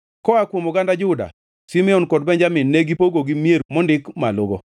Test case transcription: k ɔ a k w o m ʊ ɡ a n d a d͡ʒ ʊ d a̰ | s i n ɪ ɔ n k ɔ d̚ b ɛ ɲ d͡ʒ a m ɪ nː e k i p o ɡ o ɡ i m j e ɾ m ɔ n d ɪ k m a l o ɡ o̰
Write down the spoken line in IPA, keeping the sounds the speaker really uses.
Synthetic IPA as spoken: k ɔ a k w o m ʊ ɡ a n d a d͡ʒ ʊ d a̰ | s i m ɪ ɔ n k ɔ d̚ b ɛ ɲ d͡ʒ a m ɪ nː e ɡ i p o ɡ o ɡ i m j e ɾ m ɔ n d ɪ k m a l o ɡ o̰